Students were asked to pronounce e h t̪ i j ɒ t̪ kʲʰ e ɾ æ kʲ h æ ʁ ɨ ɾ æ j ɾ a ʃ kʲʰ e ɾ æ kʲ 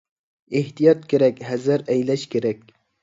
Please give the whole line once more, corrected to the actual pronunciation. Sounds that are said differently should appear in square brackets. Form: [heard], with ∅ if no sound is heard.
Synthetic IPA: e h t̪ i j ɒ t̪ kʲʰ e ɾ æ kʲ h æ [z] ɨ ɾ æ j [l] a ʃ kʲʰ e ɾ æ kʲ